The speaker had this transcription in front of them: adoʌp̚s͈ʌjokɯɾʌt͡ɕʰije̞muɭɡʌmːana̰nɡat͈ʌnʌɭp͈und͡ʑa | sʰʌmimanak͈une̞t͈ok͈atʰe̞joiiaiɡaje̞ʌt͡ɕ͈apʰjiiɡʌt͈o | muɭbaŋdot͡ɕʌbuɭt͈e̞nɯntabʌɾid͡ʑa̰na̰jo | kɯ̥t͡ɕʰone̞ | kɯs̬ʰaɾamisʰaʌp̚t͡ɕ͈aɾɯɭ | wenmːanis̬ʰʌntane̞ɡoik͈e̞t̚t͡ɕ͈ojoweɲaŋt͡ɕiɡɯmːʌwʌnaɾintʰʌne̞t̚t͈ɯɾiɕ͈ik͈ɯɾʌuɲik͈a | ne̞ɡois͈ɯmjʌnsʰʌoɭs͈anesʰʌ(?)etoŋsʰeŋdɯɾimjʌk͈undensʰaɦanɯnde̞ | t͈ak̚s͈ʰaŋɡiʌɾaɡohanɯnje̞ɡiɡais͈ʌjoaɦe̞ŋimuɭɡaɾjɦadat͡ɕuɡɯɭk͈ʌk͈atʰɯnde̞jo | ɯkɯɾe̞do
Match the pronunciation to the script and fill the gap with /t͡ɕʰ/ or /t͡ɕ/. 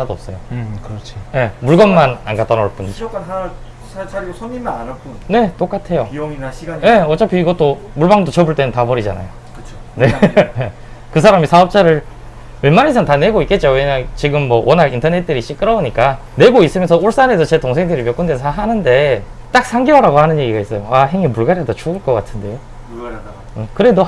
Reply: t͡ɕ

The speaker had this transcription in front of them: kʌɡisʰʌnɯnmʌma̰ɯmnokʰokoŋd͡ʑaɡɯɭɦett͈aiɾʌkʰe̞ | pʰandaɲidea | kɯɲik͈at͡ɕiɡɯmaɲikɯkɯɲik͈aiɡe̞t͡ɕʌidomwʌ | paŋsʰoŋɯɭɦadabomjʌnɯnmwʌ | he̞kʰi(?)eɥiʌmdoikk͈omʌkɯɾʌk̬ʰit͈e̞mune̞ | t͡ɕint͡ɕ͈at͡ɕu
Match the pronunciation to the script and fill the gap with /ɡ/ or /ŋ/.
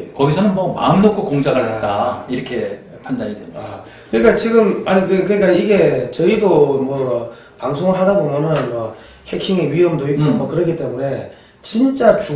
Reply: ŋ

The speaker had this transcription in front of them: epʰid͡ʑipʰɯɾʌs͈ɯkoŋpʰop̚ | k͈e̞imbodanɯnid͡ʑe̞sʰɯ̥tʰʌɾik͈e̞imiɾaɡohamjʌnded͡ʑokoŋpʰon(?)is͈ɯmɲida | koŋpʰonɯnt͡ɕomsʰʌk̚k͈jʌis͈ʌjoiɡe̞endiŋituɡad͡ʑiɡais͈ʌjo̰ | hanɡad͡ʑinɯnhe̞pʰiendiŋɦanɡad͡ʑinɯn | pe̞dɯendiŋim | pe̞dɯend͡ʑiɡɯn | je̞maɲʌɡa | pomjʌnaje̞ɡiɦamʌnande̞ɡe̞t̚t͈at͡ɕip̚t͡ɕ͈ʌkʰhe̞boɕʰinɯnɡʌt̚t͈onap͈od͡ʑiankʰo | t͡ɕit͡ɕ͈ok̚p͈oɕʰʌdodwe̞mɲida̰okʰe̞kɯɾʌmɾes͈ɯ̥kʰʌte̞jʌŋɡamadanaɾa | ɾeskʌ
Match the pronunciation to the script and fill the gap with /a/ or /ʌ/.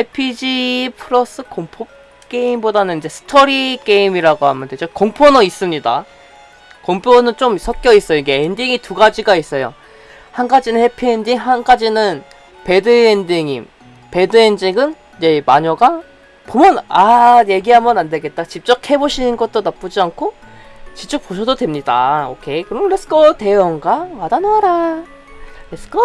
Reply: ʌ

